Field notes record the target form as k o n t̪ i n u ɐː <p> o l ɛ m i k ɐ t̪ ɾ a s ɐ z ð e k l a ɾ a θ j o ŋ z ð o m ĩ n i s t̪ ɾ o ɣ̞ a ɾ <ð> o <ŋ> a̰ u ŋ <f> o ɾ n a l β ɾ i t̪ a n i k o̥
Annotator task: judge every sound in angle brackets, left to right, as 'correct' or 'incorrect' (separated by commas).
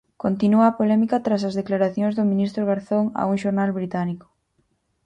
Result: correct, incorrect, correct, incorrect